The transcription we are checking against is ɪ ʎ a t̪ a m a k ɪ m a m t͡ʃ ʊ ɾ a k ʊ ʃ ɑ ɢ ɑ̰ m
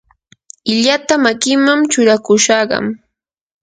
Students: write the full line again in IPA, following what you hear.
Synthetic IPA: ɪ ʎ a t̪ a m a k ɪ m a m t͡ʃ ʊ ɾ a k ʊ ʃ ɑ ɢ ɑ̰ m